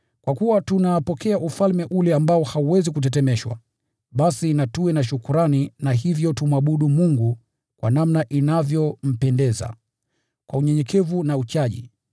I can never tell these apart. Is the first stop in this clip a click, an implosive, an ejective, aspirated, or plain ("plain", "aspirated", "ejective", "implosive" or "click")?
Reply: plain